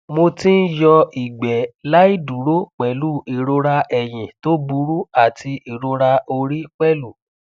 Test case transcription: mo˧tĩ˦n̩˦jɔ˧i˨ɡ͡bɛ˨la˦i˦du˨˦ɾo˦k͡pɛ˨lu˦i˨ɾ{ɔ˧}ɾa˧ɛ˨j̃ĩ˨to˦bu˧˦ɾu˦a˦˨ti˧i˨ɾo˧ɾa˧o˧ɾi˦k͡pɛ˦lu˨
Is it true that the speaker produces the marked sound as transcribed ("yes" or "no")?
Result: no